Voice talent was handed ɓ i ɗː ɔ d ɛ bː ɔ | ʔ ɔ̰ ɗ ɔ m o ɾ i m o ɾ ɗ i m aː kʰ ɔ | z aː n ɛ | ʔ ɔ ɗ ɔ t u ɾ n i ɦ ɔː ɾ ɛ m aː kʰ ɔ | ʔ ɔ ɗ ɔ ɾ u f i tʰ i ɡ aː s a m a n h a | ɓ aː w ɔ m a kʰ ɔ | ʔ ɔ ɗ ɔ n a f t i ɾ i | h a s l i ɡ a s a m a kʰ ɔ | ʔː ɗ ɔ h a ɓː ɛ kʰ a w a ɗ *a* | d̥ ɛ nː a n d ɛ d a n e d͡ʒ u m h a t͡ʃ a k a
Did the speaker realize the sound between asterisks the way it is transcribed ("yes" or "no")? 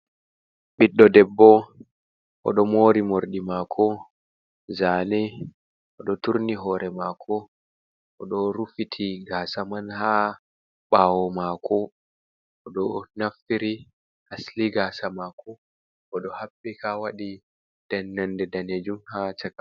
no